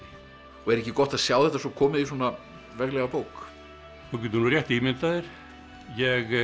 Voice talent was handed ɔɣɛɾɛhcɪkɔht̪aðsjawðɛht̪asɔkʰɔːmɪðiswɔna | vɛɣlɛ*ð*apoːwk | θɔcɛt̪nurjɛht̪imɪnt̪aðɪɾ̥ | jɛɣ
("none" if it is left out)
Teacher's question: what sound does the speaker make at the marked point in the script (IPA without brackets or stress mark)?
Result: ɣ